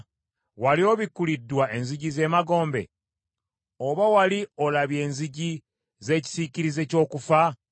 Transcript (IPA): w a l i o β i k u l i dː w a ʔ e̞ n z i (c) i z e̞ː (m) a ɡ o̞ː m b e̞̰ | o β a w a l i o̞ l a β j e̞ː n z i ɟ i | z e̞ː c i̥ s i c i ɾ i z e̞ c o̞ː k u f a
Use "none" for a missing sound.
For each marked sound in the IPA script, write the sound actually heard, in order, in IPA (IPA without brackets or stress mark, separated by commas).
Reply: ɟ, m